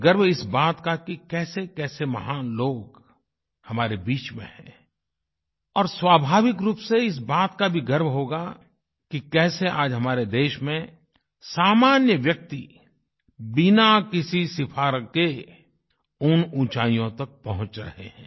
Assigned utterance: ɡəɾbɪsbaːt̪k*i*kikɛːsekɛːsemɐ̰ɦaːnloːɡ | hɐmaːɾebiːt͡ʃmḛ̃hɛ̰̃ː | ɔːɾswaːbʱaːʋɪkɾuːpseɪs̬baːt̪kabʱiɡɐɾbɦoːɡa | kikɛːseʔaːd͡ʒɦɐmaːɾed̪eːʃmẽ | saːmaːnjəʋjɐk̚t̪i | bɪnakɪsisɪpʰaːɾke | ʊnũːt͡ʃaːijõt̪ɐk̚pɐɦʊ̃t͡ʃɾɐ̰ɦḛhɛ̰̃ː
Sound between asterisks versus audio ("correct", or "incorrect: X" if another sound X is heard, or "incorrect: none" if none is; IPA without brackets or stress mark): incorrect: a